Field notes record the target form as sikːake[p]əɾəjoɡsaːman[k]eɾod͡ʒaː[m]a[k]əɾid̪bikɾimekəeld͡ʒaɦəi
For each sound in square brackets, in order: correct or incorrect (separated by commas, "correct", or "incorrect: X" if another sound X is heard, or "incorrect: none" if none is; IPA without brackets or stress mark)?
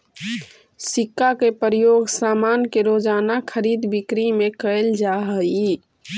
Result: correct, correct, incorrect: n, incorrect: kʰ